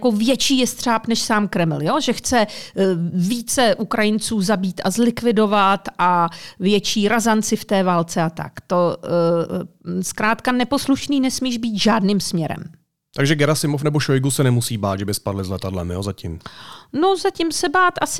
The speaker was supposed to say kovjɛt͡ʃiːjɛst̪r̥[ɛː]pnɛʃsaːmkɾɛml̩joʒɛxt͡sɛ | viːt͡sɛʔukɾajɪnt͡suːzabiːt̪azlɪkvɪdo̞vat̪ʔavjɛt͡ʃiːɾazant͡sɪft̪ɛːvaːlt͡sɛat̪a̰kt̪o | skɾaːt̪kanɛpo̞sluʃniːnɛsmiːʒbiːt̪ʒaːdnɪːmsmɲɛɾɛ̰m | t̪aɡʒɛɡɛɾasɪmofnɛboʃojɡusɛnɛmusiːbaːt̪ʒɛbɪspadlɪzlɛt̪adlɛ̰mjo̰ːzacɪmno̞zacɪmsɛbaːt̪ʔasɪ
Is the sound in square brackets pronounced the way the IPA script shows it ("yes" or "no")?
no